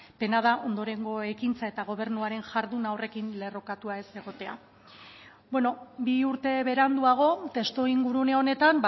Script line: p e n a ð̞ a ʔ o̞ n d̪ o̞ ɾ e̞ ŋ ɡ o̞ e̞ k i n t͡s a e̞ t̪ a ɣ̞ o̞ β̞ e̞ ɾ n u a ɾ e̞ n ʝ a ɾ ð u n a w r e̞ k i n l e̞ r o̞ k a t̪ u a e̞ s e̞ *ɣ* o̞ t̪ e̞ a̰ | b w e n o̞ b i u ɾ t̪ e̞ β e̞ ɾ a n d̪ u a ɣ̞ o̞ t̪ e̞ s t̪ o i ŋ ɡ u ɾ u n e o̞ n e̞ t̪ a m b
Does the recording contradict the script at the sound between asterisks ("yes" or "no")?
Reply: no